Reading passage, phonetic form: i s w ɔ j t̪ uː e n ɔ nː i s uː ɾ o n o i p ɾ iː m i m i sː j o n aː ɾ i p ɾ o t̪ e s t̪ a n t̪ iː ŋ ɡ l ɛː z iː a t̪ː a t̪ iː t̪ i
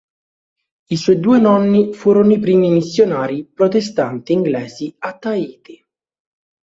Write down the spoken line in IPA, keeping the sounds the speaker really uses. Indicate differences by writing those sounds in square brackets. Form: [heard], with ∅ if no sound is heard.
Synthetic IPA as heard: i s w ɔ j [d̪] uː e n ɔ nː i [f] uː ɾ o n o i p ɾ iː m i m i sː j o n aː ɾ i p ɾ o t̪ e s t̪ a n t̪ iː ŋ ɡ l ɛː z [i] a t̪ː a [∅] iː t̪ i